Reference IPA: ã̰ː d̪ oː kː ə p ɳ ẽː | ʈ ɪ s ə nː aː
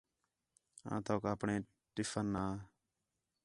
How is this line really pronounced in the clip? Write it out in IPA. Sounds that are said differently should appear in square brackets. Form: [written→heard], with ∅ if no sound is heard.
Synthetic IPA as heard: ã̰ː [d̪→t̪] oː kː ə p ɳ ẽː | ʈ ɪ [s→f] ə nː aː